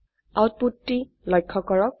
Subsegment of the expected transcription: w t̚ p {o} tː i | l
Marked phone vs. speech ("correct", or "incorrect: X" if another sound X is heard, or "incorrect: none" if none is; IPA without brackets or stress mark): incorrect: u